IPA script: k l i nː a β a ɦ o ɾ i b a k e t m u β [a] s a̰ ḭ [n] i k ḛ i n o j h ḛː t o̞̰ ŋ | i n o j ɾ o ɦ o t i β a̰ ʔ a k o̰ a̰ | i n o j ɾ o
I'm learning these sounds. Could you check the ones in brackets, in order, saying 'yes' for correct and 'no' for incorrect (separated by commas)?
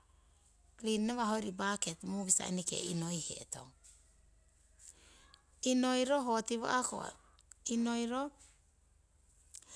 no, yes